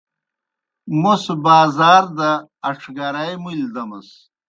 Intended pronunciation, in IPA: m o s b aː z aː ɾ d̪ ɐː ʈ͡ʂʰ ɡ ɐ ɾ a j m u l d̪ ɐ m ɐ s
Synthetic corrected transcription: m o s b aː z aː ɾ d̪ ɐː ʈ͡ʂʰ ɡ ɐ ɾ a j m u l d̪ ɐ m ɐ s